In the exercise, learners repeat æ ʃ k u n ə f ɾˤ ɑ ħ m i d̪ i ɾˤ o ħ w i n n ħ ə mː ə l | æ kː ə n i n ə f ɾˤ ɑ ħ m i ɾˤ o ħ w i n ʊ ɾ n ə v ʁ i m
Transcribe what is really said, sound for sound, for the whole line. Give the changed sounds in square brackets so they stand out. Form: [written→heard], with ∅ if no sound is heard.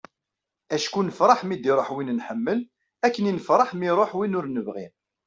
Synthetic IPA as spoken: æ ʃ k u n ə f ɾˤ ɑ ħ m i d̪ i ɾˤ o ħ w i n n ħ ə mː ə l | æ kː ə n i n ə f ɾˤ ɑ ħ m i ɾˤ o ħ w i n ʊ ɾ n ə v ʁ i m